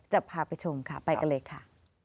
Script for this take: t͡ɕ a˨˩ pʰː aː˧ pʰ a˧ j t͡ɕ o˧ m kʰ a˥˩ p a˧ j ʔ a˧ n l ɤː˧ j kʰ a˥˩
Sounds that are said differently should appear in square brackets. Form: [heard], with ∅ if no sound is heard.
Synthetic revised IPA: t͡ɕ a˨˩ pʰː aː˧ [p] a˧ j [t͡ɕʰ] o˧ m kʰ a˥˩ p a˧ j [k] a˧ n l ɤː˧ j kʰ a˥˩

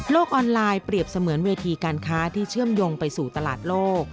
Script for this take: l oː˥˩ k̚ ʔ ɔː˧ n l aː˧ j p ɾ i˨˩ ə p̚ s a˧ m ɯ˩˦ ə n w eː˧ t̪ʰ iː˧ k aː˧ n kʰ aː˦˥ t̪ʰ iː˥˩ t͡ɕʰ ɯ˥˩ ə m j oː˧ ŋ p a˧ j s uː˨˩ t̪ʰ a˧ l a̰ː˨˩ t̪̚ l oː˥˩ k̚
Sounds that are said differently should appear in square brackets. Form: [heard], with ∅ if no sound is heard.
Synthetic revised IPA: l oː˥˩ k̚ ʔ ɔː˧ n l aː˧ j p ɾ i˨˩ ə p̚ s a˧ m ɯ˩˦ ə n w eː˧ t̪ʰ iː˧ k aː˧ n kʰ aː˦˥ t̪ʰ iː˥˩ t͡ɕʰ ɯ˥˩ ə m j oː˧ ŋ p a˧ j s uː˨˩ [t̪] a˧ l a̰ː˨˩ t̪̚ l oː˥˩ k̚

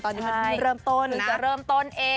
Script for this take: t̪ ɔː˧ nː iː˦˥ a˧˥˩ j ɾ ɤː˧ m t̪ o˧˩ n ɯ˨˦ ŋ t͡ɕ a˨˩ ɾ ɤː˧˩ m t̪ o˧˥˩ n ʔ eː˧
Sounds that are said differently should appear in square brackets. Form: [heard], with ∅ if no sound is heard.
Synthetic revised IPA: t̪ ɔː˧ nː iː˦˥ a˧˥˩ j ɾ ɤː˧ m t̪ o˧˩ n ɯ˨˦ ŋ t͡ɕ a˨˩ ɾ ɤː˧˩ m t̪ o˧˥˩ n ʔ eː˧

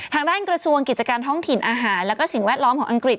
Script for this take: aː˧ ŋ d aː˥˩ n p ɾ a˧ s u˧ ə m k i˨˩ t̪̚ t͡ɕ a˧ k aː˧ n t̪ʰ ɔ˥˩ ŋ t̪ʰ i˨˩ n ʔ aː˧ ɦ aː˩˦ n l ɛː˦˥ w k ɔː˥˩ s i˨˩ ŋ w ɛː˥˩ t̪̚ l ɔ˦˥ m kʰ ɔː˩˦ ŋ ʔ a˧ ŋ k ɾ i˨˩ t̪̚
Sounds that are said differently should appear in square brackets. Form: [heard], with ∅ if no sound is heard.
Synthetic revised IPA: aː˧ ŋ d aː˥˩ n [k] ɾ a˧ s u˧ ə [ŋ] k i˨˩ t̪̚ t͡ɕ a˧ k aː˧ n t̪ʰ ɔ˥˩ ŋ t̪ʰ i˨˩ n ʔ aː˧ ɦ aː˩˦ n l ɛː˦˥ w k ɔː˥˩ s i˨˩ ŋ w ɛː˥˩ t̪̚ l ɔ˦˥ m kʰ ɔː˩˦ ŋ ʔ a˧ ŋ k ɾ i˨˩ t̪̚

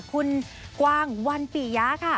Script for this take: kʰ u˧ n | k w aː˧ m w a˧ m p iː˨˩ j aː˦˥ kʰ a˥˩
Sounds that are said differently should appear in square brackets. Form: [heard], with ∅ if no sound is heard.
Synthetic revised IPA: kʰ u˧ n | k w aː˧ [ŋ] w a˧ [n] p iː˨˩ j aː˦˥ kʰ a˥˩

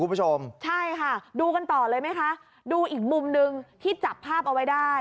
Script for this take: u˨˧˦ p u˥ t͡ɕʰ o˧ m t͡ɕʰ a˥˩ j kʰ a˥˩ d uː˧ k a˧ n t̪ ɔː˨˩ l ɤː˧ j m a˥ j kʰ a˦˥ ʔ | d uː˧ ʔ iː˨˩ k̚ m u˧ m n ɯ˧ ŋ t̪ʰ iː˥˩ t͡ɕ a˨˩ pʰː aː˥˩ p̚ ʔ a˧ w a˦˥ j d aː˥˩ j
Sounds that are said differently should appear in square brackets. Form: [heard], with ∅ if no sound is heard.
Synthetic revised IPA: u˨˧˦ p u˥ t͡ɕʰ o˧ m t͡ɕʰ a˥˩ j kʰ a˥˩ d uː˧ k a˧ n t̪ ɔː˨˩ l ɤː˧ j m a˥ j kʰ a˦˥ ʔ | d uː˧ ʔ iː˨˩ k̚ m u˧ m n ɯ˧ ŋ t̪ʰ iː˥˩ t͡ɕ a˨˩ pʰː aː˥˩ p̚ ʔ a˧ w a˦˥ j d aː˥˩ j

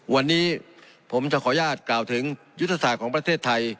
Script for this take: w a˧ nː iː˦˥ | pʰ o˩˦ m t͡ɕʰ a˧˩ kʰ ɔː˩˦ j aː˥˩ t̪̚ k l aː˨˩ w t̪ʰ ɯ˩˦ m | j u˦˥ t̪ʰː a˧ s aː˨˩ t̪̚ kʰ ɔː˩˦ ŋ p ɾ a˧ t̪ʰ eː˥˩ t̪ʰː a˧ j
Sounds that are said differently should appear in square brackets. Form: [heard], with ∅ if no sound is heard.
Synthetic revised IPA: w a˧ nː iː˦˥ | pʰ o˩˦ m [t͡ɕ] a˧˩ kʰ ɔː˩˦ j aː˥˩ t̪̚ k l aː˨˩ w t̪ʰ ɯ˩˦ [ŋ] | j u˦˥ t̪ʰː a˧ s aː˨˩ t̪̚ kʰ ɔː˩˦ ŋ p ɾ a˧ t̪ʰ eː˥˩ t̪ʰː a˧ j

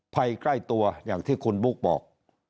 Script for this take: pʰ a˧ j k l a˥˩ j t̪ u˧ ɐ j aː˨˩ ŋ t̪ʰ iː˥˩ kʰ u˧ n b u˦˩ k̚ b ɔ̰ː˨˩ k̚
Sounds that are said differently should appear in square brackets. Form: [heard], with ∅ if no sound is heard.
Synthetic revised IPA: pʰ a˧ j k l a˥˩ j t̪ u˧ ɐ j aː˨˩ ŋ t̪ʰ iː˥˩ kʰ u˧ n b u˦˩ k̚ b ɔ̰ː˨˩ k̚

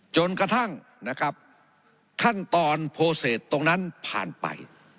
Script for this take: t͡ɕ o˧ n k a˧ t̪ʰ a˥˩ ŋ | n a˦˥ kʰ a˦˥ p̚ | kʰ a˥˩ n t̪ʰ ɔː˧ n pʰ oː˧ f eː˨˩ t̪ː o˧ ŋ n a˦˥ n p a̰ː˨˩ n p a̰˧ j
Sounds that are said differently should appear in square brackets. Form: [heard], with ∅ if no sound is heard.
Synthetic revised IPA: t͡ɕ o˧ n k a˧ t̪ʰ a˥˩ ŋ | n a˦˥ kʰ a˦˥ p̚ | kʰ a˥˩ n [t̪] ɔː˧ n pʰ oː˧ [s] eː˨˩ t̪ː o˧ ŋ n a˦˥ n [pʰ] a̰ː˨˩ n p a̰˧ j

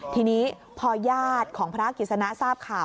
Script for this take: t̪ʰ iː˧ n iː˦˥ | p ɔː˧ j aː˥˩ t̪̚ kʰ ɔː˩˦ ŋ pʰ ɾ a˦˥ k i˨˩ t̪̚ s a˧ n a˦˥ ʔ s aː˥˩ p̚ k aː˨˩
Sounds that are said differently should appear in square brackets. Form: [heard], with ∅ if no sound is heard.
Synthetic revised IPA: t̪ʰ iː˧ n iː˦˥ | [pʰ] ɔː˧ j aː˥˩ t̪̚ kʰ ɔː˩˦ ŋ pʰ ɾ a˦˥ k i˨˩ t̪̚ s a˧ n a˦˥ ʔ s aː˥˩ p̚ [kʰ] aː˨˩

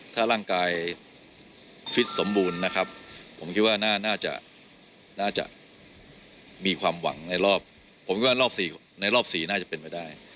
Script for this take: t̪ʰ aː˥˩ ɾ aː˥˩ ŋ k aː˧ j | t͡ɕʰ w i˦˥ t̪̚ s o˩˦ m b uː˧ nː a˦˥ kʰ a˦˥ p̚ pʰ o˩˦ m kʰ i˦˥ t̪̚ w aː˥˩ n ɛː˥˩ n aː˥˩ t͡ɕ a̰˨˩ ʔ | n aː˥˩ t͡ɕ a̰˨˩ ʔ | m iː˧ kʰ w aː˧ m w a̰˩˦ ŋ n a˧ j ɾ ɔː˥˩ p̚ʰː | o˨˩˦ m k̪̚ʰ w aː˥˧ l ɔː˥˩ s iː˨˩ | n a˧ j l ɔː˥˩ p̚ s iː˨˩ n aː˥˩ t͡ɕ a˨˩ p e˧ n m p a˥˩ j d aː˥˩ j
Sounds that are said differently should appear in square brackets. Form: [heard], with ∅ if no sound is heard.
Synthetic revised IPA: t̪ʰ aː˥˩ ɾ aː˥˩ ŋ k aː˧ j | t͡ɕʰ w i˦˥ t̪̚ s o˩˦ m b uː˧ nː a˦˥ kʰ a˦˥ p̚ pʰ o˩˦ m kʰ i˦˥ t̪̚ w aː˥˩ n [aː˥˩] n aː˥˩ t͡ɕ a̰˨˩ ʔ | n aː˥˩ t͡ɕ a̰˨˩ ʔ | m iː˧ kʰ w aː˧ m w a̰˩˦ ŋ n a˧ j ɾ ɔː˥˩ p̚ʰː | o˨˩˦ m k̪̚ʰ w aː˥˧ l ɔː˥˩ s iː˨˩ | n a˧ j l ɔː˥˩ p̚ s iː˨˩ n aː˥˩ t͡ɕ a˨˩ p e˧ n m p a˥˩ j d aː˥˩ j

